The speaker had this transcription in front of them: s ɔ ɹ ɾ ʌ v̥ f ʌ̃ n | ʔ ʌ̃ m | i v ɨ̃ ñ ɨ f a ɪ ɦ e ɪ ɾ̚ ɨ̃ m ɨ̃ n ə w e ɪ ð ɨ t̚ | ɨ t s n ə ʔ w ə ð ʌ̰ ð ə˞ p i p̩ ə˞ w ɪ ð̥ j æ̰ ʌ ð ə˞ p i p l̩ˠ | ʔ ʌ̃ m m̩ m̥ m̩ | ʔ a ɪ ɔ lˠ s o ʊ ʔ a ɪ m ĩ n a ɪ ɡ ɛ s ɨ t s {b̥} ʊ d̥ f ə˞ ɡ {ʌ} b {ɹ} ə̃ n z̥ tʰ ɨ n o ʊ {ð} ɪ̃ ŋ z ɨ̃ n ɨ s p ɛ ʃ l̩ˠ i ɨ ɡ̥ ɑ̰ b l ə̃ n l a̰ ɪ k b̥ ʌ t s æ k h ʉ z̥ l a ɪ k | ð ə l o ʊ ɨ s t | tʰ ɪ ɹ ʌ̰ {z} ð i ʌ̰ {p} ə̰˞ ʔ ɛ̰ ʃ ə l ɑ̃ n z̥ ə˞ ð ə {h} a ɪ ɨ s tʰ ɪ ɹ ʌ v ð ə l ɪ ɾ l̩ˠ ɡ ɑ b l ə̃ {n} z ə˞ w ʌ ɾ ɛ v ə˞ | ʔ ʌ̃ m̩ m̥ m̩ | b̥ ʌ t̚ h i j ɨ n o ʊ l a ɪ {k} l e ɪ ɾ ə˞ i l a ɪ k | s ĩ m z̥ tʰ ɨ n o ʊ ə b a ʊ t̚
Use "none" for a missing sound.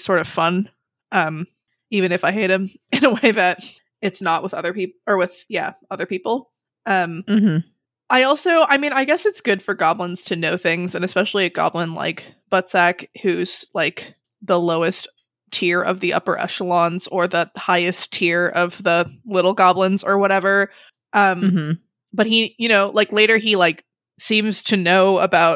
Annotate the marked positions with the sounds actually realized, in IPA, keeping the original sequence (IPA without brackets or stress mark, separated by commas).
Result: ɡ̥, ɑ, l, θ, v, p, h, n, k